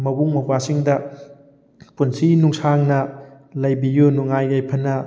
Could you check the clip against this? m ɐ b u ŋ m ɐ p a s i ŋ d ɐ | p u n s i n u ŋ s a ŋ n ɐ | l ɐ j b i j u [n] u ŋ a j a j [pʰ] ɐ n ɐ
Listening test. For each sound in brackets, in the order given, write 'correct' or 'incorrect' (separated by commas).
correct, correct